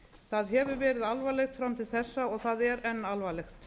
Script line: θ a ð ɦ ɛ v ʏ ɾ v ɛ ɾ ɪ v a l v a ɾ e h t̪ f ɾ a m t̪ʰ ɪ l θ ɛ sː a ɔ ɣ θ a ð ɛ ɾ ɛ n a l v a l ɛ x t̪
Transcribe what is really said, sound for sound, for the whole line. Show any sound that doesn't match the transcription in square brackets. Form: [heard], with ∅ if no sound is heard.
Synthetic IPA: θ a ð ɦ ɛ v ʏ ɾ v [ɛː] ɾ ɪ [ð] a l v a [l] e [x] t̪ f ɾ a m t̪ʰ ɪ l θ ɛ sː a ɔ ɣ θ a ð ɛ ɾ ɛ [nː] a l v a l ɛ x t̪

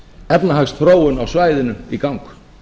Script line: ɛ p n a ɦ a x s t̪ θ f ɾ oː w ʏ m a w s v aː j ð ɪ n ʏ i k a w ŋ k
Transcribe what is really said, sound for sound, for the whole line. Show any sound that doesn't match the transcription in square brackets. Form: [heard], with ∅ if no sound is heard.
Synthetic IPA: ɛ p n a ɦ a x s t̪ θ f ɾ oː w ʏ [n] a w s v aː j ð ɪ n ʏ i k a w ŋ k

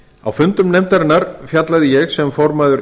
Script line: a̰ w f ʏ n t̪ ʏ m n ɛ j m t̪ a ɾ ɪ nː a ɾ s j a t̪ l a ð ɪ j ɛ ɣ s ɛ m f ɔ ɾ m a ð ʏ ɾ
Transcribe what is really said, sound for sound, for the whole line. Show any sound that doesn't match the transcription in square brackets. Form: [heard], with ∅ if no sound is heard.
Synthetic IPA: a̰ w f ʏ n t̪ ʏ m n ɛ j m t̪ a ɾ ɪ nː a ɾ [f] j a t̪ l a ð ɪ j ɛ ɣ s ɛ m f ɔ ɾ m a ð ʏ ɾ

